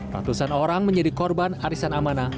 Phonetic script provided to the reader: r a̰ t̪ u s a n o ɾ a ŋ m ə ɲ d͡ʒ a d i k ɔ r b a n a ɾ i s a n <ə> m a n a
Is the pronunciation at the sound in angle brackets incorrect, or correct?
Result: incorrect: a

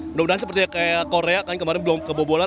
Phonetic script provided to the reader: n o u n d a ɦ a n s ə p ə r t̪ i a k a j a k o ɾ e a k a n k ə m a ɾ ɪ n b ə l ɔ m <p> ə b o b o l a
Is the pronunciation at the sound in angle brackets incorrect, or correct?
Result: incorrect: k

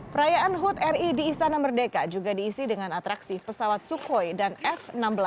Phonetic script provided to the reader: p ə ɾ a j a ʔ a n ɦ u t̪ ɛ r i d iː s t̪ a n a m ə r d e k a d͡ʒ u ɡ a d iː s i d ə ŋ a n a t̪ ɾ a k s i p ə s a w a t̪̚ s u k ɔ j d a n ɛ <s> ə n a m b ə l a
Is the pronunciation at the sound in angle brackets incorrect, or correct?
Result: incorrect: f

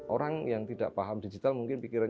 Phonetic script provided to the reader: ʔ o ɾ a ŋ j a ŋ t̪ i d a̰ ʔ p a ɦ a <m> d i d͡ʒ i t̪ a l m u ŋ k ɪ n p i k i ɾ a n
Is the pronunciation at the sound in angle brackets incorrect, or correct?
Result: correct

